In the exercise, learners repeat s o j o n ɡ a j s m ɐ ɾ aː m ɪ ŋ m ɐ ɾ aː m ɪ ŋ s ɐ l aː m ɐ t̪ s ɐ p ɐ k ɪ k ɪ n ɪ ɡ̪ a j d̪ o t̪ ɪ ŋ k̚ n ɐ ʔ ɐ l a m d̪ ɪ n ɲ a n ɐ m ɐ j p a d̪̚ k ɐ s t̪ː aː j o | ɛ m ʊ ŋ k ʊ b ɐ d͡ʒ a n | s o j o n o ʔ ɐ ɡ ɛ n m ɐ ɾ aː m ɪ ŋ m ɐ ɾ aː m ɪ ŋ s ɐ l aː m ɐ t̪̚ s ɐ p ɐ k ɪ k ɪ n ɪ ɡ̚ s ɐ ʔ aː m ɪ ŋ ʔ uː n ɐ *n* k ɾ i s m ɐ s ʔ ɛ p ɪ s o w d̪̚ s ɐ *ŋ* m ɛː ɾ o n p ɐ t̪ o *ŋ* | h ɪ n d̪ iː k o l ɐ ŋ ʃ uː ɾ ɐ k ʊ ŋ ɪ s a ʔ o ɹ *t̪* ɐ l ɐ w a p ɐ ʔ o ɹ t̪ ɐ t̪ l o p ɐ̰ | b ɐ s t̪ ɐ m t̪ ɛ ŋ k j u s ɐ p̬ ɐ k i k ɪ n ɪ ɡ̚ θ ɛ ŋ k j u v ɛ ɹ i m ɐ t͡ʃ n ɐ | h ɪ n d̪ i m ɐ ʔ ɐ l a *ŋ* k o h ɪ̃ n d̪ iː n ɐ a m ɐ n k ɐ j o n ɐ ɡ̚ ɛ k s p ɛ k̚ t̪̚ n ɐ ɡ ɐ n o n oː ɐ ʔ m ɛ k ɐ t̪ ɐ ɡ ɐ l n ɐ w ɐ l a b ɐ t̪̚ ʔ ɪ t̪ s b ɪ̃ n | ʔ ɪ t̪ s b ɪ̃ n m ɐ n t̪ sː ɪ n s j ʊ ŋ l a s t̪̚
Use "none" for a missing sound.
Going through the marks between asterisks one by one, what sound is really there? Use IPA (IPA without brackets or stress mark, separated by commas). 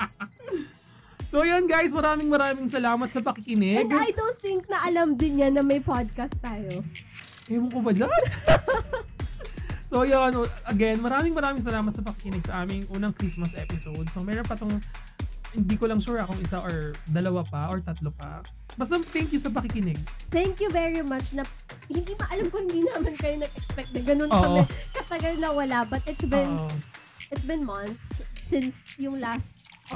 ŋ, ŋ, ŋ, d̪, m